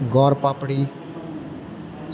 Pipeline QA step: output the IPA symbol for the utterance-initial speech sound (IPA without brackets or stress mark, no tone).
ɡ